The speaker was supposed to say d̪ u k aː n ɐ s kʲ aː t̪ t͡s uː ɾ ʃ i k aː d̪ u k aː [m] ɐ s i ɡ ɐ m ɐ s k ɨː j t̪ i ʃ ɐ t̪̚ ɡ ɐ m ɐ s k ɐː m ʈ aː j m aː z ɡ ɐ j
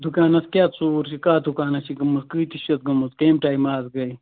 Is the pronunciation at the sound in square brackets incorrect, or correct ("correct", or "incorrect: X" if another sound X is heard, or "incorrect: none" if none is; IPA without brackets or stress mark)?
incorrect: n